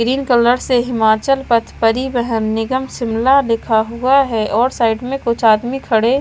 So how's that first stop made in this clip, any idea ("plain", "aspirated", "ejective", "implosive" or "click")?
plain